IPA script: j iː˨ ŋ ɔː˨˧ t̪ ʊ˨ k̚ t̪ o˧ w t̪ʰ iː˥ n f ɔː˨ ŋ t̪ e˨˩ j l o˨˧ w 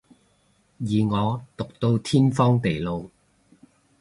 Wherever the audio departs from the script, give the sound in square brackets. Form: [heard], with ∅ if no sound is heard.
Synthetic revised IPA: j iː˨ ŋ ɔː˨˧ t̪ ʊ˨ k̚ t̪ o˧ w t̪ʰ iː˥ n f [ɔː˥] ŋ t̪ e˨˩ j l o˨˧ w